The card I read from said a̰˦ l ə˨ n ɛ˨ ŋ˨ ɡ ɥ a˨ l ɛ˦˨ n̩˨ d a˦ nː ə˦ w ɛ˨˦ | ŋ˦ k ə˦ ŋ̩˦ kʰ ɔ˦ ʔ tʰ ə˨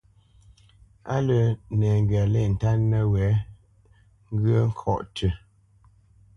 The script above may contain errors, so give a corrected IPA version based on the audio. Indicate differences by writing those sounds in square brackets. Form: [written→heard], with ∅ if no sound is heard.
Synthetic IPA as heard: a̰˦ l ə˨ n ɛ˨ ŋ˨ ɡ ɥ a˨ l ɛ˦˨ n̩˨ [d→t] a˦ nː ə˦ w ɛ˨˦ | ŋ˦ [k→ɡ] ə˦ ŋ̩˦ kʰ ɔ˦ ʔ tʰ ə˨